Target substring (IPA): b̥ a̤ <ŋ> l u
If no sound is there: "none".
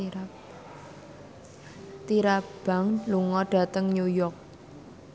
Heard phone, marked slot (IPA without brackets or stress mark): ŋ